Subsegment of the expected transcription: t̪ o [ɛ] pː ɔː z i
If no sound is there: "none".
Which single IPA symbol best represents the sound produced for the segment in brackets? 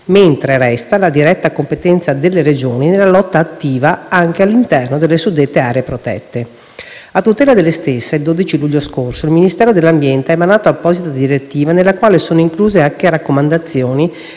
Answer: a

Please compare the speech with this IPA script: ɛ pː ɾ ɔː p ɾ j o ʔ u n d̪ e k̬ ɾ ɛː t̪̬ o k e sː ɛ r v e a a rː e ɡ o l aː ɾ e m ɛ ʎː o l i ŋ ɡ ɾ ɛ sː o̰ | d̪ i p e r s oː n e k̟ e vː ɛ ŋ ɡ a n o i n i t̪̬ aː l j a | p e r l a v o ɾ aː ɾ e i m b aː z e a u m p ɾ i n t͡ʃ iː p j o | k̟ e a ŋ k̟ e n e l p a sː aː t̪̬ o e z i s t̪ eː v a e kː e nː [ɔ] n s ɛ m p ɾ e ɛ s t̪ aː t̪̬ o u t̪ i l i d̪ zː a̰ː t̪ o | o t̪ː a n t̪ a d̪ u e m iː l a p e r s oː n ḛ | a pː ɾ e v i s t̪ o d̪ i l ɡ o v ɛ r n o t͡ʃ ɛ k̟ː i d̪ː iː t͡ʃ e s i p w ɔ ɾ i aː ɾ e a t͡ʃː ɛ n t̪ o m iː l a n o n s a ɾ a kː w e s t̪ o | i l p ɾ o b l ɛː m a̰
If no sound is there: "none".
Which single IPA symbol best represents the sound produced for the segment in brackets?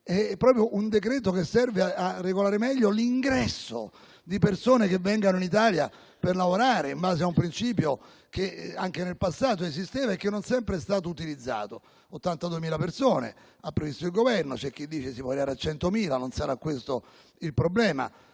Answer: o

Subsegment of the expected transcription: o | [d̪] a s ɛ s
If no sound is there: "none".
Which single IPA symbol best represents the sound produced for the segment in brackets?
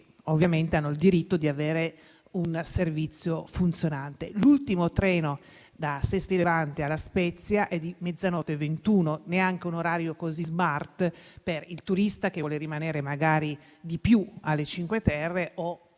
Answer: d̪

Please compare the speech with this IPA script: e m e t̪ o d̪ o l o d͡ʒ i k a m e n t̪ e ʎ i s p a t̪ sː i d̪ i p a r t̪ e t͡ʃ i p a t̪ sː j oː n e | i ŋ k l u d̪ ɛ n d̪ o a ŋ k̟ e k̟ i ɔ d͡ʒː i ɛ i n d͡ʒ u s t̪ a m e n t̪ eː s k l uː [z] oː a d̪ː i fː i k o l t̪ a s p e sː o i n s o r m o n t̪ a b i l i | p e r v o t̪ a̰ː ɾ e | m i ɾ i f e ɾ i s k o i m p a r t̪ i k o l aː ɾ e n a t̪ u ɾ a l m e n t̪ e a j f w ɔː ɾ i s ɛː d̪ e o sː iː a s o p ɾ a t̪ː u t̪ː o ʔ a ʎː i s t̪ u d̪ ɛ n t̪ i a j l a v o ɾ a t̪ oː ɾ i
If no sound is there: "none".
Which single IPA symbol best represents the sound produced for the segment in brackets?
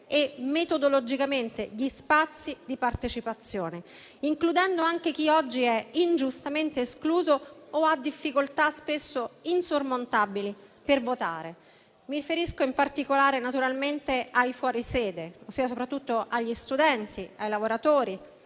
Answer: z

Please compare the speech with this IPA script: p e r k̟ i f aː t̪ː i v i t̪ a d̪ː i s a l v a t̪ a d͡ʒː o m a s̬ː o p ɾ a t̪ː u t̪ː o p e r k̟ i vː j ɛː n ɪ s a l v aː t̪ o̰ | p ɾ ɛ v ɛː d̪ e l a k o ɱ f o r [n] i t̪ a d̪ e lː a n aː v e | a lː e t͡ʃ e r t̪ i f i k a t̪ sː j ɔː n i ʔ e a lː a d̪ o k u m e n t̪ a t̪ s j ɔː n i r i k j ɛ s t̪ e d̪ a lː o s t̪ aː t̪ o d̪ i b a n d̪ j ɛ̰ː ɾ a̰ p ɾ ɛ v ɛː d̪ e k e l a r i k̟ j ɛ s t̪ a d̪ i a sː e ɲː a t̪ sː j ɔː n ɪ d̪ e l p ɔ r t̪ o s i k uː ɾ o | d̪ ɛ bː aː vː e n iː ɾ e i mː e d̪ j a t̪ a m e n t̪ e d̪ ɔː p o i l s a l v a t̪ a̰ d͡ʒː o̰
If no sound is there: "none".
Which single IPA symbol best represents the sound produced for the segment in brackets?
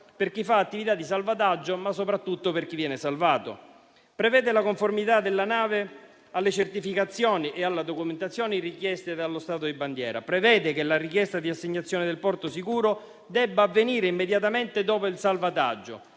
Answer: m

